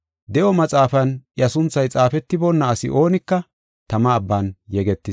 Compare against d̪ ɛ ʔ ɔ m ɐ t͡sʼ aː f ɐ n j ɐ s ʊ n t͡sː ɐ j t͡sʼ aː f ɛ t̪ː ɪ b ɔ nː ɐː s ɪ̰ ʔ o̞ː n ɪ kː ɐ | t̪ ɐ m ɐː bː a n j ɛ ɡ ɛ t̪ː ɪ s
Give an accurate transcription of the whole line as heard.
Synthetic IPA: d̪ ɛ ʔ ɔ m ɐ t͡sʼ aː f ɐ n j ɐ s ʊ n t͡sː ɐ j t͡sʼ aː f ɛ t̪ː ɪ b ɔ nː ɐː s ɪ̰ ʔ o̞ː n ɪ kː ɐ | t̪ ɐ m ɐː bː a n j ɛ ɡ ɛ t̪ː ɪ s